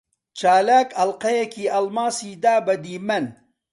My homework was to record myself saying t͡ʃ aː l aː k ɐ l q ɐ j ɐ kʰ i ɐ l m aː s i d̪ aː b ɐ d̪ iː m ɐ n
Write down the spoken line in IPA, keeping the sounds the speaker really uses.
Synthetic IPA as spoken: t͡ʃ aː l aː k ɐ l q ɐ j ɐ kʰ i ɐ l m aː s i d̪ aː b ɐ d̪ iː m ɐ n